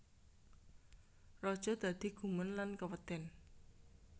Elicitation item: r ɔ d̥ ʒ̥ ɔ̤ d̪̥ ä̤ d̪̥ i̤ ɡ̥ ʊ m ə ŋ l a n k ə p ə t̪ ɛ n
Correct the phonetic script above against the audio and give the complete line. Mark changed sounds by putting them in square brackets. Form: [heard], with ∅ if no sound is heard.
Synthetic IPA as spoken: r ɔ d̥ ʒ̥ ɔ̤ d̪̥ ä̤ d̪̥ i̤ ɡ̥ [u] m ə [n] l a n k ə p ə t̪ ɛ n